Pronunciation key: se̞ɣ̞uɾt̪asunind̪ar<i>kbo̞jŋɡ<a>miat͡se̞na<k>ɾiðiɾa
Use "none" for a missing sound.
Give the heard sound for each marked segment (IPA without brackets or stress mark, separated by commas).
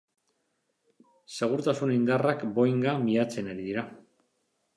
a, a, none